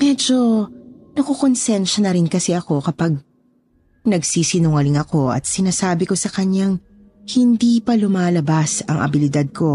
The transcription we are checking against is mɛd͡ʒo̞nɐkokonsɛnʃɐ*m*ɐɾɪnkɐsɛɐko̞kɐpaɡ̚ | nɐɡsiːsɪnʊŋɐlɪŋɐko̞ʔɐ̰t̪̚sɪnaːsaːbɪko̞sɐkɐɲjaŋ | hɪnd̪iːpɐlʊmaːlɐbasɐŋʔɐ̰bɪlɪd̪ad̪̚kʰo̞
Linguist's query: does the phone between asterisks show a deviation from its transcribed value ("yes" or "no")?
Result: yes